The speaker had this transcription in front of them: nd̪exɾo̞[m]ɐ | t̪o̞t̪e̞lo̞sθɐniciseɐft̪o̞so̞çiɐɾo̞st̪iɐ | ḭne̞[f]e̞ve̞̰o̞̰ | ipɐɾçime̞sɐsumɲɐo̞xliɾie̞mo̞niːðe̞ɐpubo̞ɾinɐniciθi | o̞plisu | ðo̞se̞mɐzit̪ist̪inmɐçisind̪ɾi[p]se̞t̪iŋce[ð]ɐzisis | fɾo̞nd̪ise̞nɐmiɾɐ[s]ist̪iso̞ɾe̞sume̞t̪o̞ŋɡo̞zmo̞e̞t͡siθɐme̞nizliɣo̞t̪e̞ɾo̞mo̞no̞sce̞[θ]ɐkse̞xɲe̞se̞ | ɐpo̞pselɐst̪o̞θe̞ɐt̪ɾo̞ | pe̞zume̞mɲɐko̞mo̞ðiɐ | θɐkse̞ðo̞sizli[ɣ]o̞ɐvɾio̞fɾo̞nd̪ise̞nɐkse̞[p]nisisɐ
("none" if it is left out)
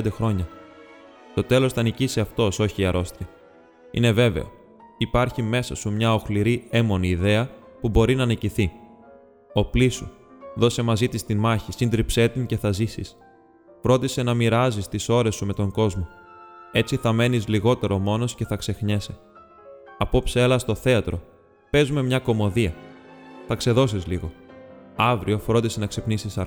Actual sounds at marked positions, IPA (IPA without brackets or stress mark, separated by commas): ɲ, v, p, θ, z, θ, ɣ, p